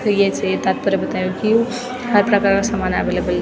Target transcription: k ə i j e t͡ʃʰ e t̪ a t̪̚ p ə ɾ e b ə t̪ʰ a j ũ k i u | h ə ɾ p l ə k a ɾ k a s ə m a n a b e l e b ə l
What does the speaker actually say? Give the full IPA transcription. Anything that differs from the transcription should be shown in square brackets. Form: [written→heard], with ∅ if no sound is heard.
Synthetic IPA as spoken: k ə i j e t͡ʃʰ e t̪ a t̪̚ p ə ɾ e b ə [t̪ʰ→t̪] a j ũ k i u | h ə ɾ p [l→ɾ] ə k a ɾ k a s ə m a n a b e l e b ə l

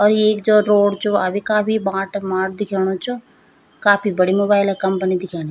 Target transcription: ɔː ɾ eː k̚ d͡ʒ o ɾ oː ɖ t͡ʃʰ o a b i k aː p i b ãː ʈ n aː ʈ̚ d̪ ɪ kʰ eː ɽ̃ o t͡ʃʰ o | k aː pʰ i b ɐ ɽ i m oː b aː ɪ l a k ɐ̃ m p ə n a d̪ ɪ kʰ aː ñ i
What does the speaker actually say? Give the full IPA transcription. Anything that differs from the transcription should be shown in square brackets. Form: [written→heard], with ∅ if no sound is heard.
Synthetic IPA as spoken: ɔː ɾ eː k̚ d͡ʒ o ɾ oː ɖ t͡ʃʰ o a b i k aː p i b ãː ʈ [n→m] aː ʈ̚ d̪ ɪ kʰ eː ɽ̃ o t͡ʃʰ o | k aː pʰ i b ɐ ɽ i m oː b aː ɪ l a k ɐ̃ m p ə n [a→i] d̪ ɪ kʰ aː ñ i

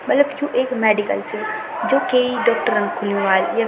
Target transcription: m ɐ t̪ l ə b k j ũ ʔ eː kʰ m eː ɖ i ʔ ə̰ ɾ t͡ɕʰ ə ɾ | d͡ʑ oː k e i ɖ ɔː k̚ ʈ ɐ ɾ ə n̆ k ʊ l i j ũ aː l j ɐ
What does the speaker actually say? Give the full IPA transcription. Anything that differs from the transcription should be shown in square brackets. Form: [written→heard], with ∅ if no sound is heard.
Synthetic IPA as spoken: m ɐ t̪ l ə b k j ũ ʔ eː [kʰ→k] m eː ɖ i [ʔ→k] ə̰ [ɾ→l] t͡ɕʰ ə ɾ | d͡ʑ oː k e i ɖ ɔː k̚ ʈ [ɐ→ə] ɾ ə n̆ [k→kʰ] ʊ l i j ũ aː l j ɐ

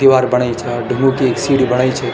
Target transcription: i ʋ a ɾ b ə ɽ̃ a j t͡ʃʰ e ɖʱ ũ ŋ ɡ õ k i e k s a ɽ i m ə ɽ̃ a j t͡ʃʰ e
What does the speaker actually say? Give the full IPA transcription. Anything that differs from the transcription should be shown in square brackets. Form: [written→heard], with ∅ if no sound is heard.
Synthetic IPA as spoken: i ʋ a ɾ b ə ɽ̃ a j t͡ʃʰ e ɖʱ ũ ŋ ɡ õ k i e k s [a→i] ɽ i [m→b] ə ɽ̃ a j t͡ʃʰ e

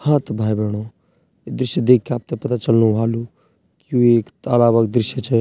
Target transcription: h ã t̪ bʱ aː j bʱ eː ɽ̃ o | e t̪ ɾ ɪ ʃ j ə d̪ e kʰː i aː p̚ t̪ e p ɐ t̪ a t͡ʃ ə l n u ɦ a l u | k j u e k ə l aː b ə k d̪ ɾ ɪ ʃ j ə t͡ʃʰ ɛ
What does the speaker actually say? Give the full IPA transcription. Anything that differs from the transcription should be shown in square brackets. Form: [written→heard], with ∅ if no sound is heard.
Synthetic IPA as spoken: h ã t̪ bʱ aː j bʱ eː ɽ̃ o | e [t̪→d̪] ɾ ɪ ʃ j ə d̪ e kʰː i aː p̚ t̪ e p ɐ t̪ a t͡ʃ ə l n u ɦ a l u | k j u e k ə l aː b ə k d̪ ɾ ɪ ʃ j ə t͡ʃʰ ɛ

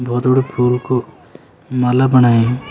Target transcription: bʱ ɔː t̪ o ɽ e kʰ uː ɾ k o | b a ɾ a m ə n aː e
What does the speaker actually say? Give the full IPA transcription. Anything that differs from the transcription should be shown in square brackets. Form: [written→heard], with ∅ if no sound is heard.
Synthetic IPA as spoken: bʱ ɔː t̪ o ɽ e [kʰ→pʰ] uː [ɾ→l] k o | [b→m] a [ɾ→l] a [m→b] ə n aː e

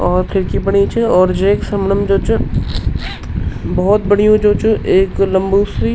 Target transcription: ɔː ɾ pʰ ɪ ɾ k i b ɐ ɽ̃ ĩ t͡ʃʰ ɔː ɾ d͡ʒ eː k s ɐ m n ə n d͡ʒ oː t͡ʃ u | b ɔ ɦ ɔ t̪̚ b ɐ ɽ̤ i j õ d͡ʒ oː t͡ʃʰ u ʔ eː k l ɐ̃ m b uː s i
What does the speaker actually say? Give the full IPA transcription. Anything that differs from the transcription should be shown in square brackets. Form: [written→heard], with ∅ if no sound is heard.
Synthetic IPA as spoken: ɔː ɾ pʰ ɪ ɾ k i b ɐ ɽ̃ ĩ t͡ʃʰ ɔː ɾ d͡ʒ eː k s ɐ m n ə [n→m] d͡ʒ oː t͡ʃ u | b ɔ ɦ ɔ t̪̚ b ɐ ɽ̤ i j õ d͡ʒ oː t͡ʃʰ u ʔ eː k l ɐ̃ m b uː s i

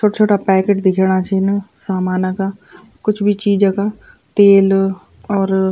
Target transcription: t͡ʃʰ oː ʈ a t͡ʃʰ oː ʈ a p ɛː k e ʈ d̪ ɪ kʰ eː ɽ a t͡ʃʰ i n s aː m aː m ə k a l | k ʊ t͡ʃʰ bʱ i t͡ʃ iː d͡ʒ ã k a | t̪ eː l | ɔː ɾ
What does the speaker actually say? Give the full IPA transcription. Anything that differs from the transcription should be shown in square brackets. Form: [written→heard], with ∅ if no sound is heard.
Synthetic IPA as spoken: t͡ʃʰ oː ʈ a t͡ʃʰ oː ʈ a p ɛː k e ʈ d̪ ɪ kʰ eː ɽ a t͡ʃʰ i n s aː m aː [m→n] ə k a [l→∅] | k ʊ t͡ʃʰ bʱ i t͡ʃ iː d͡ʒ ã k a | t̪ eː l | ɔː ɾ

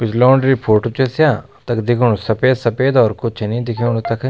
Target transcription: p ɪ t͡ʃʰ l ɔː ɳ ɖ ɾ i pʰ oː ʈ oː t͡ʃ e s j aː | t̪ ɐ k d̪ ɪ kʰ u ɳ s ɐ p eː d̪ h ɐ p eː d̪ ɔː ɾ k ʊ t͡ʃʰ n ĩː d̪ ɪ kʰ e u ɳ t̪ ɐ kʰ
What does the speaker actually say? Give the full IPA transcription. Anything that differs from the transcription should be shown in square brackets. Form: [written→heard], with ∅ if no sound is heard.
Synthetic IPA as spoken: p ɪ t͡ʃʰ l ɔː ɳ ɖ ɾ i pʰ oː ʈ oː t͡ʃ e s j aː | t̪ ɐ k d̪ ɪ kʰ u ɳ s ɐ p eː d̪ [h→s] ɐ p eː d̪ ɔː ɾ k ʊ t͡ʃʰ n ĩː d̪ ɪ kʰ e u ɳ t̪ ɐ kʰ

